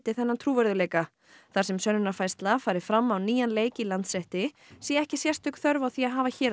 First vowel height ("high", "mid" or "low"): high